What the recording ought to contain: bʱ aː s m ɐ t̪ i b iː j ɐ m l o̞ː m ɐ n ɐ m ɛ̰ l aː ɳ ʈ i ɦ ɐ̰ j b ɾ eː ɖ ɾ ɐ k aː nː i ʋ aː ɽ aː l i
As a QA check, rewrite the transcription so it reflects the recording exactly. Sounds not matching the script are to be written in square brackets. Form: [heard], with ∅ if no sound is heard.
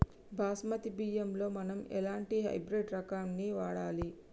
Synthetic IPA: bʱ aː s m ɐ t̪ i b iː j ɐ m l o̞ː m ɐ n ɐ m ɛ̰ l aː ɳ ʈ i ɦ ɐ̰ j b ɾ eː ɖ ɾ ɐ k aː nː i ʋ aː ɽ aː l i